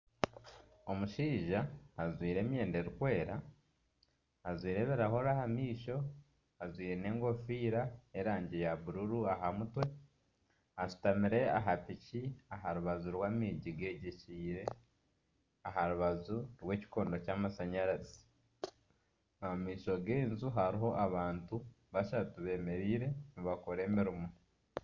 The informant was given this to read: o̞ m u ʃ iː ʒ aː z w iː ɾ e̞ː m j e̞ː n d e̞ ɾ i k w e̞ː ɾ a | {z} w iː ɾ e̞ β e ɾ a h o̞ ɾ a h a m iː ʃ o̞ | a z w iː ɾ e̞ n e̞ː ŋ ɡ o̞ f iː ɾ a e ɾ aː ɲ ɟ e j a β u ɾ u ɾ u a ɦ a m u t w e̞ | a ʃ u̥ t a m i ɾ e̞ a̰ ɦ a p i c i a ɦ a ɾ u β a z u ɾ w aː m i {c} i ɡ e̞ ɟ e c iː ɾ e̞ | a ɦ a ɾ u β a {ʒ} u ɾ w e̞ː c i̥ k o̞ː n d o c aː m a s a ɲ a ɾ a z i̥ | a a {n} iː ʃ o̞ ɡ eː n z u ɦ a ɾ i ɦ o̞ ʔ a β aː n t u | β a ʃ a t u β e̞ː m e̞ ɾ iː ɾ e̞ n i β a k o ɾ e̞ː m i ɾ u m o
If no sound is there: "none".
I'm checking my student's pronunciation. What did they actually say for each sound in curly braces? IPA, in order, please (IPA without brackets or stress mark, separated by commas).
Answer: z, ɟ, z, m